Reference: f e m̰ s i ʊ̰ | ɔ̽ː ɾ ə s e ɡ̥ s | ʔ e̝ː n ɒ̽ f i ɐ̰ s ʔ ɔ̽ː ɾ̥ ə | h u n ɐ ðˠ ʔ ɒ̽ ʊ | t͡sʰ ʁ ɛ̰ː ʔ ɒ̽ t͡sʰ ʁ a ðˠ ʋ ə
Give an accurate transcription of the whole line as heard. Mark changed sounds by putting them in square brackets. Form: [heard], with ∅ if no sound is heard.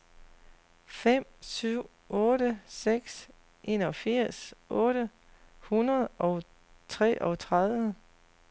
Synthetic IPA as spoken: f e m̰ s [y] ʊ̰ | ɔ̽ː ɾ ə s e ɡ̥ s | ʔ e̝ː n ɒ̽ f i ɐ̰ s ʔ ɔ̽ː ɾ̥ ə | h u n ɐ ðˠ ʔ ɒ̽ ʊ | t͡sʰ ʁ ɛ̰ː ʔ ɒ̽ t͡sʰ ʁ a ðˠ ʋ ə

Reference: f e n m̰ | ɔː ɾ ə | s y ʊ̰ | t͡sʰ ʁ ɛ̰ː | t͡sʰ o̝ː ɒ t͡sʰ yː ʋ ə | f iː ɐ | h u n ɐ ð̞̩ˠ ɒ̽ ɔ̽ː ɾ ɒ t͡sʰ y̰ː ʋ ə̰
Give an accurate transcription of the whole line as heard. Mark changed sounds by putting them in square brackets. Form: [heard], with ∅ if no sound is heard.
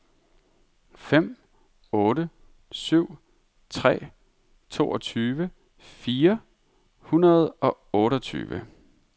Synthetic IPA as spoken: f e [∅] m̰ | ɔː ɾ ə | s y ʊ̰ | t͡sʰ ʁ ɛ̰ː | t͡sʰ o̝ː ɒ t͡sʰ yː ʋ ə | f iː ɐ | h u n ɐ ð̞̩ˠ ɒ̽ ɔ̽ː ɾ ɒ t͡sʰ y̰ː ʋ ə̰

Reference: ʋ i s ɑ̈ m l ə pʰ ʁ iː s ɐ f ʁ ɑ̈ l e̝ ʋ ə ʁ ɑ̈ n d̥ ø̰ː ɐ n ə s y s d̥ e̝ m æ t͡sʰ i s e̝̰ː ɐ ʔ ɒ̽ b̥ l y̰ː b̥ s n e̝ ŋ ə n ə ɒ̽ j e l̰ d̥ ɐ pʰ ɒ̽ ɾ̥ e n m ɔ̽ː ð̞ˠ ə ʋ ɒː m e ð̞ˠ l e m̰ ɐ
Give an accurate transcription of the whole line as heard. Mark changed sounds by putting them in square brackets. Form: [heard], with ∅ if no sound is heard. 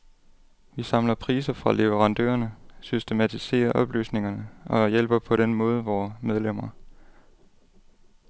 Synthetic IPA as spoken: ʋ i s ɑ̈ m l [ɐ] pʰ ʁ iː s ɐ f ʁ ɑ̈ l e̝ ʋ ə ʁ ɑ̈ n d̥ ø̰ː ɐ n ə s y s d̥ e̝ m æ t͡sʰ i s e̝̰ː ɐ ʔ ɒ̽ b̥ l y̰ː [∅] s n e̝ ŋ [ɐ] n ə ɒ̽ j e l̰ [b̥] ɐ pʰ ɒ̽ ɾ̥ e n m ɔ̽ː ð̞ˠ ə ʋ ɒː m e ð̞ˠ l e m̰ ɐ

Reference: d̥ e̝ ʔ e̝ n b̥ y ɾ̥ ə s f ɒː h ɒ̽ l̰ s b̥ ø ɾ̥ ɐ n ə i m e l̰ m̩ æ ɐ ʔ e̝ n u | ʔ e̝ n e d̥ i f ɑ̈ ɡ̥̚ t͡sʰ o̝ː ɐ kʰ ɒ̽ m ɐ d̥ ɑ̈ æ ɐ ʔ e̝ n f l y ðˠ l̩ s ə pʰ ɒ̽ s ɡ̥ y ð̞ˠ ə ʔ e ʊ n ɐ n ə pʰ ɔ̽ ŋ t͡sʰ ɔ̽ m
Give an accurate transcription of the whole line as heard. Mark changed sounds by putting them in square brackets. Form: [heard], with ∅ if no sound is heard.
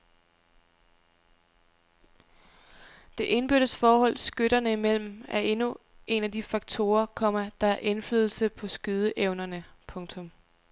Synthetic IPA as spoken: d̥ e̝ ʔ e̝ n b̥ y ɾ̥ ə s f ɒː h ɒ̽ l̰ s [ɡ̥] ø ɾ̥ ɐ n ə i m e l̰ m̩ æ ɐ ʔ e̝ n u | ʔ e̝ n [æ] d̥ i f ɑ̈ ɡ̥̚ t͡sʰ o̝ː ɐ kʰ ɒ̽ m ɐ d̥ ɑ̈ æ ɐ ʔ e̝ n f l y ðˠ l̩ s ə pʰ ɒ̽ s ɡ̥ y ð̞ˠ ə ʔ e ʊ n ɐ n ə pʰ ɔ̽ ŋ t͡sʰ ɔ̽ m

